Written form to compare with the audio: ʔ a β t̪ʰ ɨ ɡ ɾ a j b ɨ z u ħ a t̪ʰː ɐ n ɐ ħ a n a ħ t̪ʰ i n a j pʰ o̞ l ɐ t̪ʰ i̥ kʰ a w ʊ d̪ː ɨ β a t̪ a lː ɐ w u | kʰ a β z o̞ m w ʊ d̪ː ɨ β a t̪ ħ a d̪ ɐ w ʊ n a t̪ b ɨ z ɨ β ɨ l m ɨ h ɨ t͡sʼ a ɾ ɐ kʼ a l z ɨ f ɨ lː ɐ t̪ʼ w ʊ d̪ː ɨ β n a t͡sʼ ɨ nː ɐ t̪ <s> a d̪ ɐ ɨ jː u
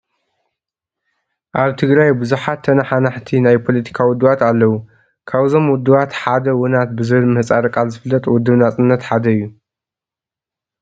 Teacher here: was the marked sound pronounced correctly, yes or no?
no